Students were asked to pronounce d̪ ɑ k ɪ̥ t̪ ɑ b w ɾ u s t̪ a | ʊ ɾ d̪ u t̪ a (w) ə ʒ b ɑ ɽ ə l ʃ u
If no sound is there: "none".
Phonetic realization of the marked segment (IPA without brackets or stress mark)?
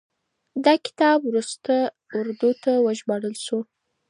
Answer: w